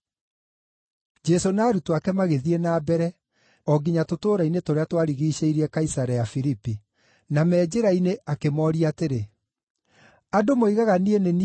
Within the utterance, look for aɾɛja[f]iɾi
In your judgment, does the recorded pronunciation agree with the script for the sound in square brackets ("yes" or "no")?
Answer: yes